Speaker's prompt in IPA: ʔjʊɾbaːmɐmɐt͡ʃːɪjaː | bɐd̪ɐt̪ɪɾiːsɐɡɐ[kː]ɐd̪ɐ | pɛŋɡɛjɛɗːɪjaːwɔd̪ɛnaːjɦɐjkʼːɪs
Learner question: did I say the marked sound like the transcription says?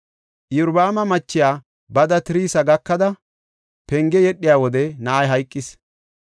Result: yes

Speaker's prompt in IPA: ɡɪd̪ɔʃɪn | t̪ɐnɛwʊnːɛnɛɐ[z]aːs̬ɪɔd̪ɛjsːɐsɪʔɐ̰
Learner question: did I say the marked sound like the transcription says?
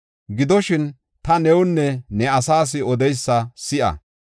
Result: no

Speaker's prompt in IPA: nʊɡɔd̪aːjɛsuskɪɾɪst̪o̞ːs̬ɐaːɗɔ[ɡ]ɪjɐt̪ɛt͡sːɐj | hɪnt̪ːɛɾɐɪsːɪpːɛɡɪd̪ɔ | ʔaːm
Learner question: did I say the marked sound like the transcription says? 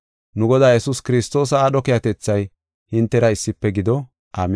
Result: no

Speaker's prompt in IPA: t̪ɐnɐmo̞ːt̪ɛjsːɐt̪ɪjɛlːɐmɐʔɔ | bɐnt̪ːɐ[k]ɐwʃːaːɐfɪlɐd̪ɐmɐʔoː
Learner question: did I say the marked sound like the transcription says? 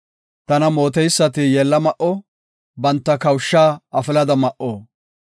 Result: yes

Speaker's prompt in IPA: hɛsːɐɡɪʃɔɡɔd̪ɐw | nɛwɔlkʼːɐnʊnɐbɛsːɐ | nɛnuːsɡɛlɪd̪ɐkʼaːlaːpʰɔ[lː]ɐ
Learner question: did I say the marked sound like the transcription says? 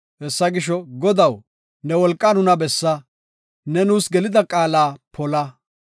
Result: no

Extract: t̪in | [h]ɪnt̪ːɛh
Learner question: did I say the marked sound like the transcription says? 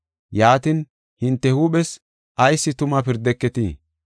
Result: yes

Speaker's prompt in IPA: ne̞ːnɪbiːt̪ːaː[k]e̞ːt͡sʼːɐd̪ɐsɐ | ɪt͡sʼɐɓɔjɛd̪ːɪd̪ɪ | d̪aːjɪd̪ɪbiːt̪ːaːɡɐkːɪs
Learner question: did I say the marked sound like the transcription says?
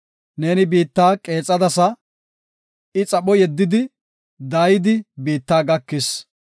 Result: no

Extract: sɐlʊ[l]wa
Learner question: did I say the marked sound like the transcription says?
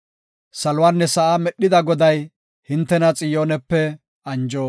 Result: no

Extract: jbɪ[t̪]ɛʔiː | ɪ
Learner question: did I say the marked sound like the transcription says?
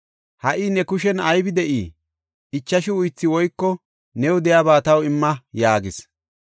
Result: no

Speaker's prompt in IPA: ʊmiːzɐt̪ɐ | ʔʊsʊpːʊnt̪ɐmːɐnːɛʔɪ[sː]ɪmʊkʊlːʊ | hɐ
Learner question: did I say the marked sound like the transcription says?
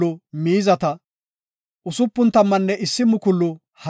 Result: yes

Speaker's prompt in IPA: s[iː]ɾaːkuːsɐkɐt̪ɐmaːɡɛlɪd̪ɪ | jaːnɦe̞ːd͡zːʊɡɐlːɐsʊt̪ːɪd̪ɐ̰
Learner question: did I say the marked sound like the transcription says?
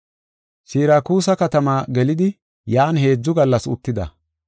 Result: yes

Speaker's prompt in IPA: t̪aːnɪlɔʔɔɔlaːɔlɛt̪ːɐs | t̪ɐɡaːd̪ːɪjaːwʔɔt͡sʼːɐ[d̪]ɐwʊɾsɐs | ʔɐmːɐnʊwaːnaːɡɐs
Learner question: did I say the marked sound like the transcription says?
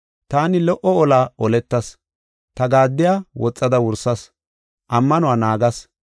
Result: yes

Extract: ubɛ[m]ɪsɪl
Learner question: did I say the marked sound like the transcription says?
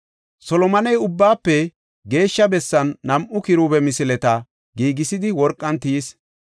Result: yes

